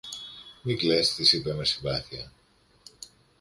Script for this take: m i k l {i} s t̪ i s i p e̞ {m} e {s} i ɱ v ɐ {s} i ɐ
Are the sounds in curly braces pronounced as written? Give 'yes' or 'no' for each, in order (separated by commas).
no, yes, yes, no